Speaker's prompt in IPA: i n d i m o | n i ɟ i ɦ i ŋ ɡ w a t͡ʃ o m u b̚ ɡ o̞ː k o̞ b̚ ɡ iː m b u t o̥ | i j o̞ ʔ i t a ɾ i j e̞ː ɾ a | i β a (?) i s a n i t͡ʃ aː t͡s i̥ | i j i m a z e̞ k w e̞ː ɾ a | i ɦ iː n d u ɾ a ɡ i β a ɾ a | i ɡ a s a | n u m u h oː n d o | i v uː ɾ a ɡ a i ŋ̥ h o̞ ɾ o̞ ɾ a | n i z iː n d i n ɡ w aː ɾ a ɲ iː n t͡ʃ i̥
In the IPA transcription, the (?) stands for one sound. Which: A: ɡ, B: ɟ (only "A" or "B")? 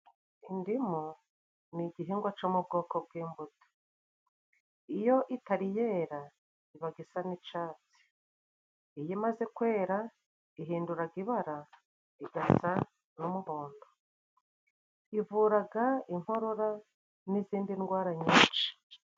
A